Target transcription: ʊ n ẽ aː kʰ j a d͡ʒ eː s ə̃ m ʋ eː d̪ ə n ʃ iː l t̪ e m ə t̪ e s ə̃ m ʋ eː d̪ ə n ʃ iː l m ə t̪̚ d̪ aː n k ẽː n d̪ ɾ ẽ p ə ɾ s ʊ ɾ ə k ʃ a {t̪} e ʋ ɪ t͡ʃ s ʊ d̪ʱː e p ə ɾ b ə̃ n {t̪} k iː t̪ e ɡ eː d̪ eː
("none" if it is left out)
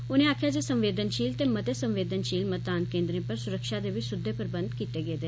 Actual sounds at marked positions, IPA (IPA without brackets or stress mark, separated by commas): d̪, d̪